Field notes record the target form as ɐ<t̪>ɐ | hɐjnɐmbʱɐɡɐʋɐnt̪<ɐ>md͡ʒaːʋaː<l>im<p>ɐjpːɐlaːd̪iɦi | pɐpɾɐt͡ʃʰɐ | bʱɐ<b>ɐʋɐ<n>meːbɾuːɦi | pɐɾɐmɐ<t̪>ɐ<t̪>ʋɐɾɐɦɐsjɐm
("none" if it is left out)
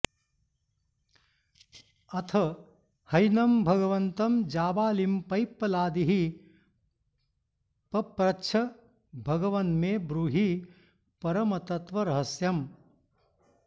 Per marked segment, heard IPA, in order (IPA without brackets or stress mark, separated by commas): t̪ʰ, ɐ, l, p, ɡ, n, t̪, t̪